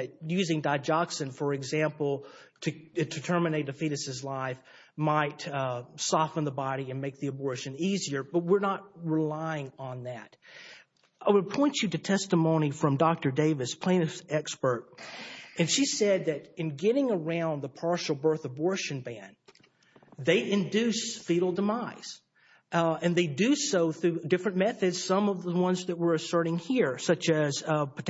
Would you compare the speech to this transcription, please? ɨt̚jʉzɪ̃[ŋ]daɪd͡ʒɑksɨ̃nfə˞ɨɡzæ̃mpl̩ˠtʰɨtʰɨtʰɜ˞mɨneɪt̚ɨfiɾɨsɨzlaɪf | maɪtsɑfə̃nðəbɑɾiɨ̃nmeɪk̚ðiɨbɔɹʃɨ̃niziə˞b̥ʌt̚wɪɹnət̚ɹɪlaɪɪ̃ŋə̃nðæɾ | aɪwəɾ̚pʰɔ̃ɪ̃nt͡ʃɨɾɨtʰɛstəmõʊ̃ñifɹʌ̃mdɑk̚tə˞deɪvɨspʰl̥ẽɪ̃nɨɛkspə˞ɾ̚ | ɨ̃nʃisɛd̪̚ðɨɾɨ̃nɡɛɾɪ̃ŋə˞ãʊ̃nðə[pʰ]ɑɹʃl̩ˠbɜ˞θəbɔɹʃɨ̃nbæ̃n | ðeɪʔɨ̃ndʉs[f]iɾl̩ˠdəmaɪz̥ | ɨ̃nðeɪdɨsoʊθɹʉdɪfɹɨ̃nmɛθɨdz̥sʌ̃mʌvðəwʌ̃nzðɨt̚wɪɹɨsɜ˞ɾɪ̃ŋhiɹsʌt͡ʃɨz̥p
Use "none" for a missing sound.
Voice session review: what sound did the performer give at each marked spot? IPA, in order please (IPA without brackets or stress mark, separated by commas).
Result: ŋ, pʰ, f